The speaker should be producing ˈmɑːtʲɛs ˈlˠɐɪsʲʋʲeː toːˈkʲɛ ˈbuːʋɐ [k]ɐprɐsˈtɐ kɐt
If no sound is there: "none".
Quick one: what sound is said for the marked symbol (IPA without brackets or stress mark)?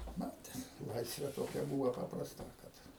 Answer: p